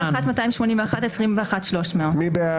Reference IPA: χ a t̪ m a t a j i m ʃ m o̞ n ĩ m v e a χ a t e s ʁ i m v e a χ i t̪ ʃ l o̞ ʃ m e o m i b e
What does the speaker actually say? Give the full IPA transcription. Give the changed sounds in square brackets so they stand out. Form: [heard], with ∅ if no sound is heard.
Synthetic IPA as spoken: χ a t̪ m a t a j i m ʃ m o̞ n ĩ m v e a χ a t e s ʁ i m v e a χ [a] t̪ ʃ l o̞ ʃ m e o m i b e